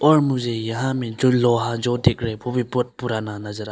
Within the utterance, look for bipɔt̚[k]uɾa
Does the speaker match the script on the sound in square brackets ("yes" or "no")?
no